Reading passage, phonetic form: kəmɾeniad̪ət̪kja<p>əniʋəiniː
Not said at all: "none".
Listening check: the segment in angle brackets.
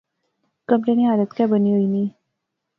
b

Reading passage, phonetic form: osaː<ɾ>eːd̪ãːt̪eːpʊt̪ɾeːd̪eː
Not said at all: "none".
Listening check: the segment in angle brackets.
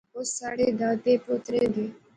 ɽ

